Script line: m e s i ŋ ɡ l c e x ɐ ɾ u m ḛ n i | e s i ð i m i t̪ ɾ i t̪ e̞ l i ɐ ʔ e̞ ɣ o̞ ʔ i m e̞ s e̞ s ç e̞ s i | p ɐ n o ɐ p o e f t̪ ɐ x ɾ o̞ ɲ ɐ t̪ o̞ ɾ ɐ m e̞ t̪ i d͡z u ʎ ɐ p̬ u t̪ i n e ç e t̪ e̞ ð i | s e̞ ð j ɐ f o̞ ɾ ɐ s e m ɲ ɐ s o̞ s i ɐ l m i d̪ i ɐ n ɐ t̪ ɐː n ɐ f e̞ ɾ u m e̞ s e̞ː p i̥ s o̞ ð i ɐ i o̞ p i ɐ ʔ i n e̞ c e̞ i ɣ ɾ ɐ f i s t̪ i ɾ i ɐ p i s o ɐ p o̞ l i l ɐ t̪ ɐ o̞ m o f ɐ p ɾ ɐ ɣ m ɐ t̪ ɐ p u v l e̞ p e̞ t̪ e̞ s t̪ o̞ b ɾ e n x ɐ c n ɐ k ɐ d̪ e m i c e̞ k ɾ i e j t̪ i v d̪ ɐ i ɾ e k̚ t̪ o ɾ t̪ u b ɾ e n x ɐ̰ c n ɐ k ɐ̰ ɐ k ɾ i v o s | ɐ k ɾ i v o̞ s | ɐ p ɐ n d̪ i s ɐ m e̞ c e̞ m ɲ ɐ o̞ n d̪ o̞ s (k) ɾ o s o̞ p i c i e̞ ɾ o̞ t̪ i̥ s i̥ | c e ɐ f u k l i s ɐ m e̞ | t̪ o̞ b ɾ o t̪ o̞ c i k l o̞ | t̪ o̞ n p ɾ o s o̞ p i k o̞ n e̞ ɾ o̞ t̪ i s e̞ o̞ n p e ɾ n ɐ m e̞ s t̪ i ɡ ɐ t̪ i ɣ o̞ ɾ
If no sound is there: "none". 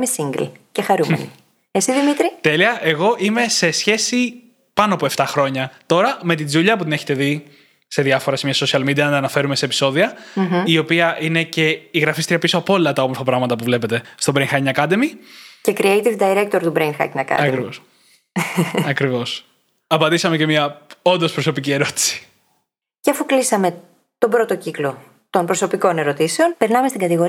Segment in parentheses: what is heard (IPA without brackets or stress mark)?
p